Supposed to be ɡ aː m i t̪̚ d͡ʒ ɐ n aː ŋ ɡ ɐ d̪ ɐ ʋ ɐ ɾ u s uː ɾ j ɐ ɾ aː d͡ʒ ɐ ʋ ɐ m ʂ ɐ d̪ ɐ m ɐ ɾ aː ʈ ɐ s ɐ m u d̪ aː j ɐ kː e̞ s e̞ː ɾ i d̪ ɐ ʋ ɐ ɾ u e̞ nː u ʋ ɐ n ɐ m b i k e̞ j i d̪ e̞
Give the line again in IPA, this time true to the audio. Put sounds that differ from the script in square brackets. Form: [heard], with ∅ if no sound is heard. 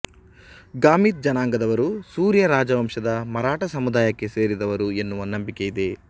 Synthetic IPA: ɡ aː m i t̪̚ d͡ʒ ɐ n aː ŋ ɡ ɐ d̪ ɐ ʋ ɐ ɾ u s uː ɾ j ɐ ɾ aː d͡ʒ ɐ ʋ ɐ m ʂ ɐ d̪ ɐ m ɐ ɾ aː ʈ ɐ s ɐ m u d̪ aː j ɐ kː e̞ s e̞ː ɾ i d̪ ɐ ʋ ɐ ɾ u e̞ nː u ʋ ɐ n ɐ m b i k e̞ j i d̪ e̞

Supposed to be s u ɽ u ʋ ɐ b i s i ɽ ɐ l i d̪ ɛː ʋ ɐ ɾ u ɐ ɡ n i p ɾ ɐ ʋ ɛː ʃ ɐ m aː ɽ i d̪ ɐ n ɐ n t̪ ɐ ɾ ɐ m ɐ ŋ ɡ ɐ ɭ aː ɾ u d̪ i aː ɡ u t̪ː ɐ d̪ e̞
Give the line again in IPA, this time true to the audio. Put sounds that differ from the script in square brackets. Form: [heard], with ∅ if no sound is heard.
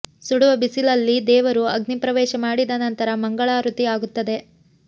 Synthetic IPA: s u ɽ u ʋ ɐ b i s i [l] ɐ [lː] i d̪ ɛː ʋ ɐ ɾ u ɐ ɡ n i p ɾ ɐ ʋ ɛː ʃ ɐ m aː ɽ i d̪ ɐ n ɐ n t̪ ɐ ɾ ɐ m ɐ ŋ ɡ ɐ ɭ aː ɾ u [t̪] i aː ɡ u t̪ː ɐ d̪ e̞

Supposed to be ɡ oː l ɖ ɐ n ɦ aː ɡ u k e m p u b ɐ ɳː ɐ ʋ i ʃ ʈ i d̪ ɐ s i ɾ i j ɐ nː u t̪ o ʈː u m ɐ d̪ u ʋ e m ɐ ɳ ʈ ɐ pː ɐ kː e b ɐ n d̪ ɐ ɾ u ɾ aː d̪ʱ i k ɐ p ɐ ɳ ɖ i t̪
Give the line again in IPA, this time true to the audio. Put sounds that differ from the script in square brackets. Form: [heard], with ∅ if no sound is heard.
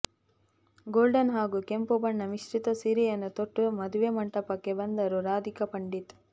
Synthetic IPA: ɡ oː l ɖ ɐ n ɦ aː ɡ u k e m p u b ɐ ɳː ɐ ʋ i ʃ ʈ i [t̪] ɐ s i ɾ i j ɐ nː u t̪ o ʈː u m ɐ d̪ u ʋ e m ɐ ɳ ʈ ɐ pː ɐ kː e b ɐ n d̪ ɐ ɾ u ɾ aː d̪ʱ i k ɐ p ɐ ɳ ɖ i t̪

